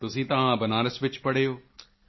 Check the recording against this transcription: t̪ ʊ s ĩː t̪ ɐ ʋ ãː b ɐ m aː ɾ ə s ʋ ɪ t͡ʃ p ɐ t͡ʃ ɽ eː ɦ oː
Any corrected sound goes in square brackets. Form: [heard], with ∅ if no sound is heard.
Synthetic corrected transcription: t̪ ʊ s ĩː t̪ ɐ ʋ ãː b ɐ [n] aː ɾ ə s ʋ ɪ t͡ʃ p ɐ [∅] ɽ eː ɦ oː